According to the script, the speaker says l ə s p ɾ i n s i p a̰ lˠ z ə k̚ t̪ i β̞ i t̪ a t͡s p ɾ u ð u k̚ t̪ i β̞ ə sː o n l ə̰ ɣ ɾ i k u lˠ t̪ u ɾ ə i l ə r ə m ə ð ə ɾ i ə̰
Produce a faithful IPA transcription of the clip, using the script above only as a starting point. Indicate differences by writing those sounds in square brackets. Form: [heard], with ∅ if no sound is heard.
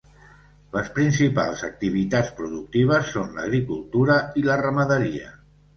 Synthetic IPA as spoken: l ə s p ɾ i n s i p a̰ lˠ z ə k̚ t̪ i β̞ i t̪ a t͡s p ɾ u ð u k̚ t̪ i β̞ ə sː o n l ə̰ ɣ ɾ i k u lˠ t̪ u ɾ ə i l ə r ə m ə ð ə ɾ i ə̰